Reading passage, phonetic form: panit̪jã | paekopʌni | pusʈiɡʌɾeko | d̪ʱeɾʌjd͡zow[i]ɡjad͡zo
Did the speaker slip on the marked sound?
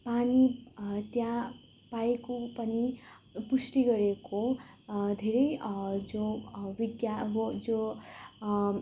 no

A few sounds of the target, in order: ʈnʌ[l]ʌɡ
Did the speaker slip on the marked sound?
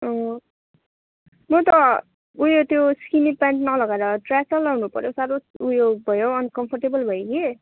no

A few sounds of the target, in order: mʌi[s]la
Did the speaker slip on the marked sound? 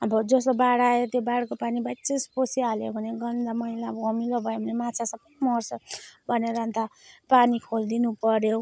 yes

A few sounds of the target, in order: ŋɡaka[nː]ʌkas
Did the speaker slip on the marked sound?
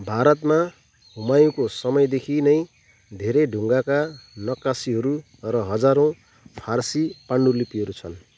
yes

